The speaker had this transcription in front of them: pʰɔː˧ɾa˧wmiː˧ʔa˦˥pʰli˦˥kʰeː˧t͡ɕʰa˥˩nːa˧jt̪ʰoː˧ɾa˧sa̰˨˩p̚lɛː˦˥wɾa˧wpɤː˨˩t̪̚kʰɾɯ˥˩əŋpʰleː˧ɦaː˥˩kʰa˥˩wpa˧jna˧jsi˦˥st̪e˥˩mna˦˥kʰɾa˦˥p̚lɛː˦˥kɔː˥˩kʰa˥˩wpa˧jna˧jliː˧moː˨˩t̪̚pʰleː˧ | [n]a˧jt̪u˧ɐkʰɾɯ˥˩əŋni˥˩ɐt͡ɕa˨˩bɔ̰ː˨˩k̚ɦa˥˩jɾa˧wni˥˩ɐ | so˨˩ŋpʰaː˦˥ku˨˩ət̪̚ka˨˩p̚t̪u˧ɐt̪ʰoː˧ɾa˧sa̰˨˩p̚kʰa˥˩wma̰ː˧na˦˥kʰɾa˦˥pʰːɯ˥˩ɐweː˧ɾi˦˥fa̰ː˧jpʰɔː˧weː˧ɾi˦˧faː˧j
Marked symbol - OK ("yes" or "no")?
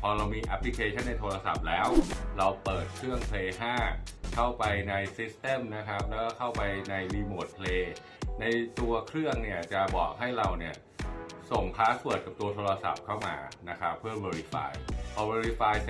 yes